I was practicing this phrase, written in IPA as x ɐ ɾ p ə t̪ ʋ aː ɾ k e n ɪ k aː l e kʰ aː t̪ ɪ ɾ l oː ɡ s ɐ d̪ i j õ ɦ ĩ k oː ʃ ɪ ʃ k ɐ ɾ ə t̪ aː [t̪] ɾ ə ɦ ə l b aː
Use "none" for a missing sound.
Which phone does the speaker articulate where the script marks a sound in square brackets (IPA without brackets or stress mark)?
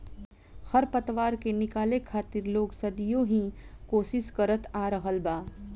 none